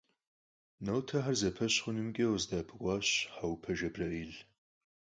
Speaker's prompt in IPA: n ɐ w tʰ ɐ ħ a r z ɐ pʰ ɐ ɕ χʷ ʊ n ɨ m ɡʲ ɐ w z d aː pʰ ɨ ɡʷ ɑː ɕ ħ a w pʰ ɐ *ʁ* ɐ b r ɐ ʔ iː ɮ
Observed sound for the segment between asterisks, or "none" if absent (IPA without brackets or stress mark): ʒ